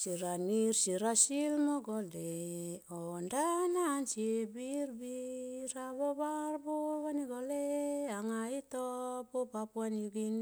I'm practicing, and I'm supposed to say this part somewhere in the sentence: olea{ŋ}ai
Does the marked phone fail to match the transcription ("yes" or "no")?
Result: no